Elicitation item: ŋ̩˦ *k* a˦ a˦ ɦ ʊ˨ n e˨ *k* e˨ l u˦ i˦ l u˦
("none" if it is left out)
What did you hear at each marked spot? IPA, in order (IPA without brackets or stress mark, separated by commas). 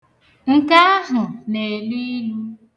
k, none